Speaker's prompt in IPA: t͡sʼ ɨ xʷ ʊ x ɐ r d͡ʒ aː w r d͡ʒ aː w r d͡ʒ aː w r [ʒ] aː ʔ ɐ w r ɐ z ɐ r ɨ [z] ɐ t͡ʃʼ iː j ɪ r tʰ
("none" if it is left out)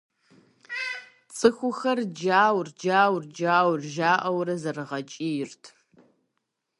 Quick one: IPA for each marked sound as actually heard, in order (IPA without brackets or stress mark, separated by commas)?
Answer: ʒ, ʁ